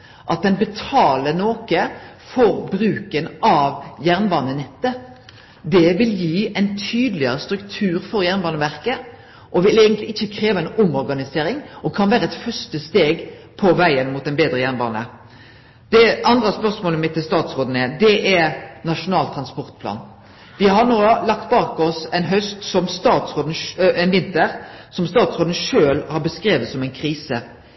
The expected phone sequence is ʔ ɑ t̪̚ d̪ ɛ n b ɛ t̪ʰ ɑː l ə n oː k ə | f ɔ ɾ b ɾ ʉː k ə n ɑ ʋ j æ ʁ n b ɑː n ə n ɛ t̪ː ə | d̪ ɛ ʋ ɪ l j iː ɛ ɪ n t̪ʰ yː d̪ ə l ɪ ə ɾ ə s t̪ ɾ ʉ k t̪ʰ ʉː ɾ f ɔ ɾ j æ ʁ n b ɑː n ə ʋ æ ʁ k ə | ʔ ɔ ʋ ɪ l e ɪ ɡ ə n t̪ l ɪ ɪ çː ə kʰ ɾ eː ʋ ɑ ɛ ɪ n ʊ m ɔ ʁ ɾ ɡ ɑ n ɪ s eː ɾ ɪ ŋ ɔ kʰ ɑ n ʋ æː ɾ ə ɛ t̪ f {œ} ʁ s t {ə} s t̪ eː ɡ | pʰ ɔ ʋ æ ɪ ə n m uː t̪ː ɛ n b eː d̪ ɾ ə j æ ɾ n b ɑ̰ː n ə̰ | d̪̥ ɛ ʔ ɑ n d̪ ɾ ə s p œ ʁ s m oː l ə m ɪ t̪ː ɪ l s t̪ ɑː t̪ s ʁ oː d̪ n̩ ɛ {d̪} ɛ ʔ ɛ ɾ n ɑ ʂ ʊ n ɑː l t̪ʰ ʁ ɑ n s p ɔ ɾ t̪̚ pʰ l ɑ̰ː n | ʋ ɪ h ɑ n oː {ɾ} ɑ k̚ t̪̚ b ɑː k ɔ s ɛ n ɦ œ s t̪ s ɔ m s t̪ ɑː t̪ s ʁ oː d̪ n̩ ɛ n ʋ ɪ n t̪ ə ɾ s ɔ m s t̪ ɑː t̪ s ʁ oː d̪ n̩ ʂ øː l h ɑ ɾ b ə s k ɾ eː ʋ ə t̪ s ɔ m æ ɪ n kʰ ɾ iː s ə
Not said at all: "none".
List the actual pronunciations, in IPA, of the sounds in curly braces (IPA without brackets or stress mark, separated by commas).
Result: œ, ə, d̪, l